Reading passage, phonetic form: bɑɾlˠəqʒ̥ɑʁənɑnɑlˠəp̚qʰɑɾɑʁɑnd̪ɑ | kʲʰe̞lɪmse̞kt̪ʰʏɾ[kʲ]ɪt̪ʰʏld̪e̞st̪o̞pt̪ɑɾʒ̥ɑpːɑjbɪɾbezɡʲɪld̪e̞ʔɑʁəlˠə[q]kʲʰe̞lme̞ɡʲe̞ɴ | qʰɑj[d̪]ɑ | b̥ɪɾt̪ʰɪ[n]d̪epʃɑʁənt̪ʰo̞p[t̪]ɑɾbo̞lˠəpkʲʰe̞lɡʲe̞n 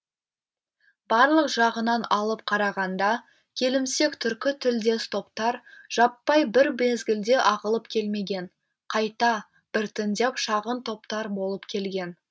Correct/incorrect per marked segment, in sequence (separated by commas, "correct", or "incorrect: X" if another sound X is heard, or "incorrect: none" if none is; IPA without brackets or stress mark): correct, incorrect: p, incorrect: t̪, correct, correct